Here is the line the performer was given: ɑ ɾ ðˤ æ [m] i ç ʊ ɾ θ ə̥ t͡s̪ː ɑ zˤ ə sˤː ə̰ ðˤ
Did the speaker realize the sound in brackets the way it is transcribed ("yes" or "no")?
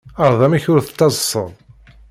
yes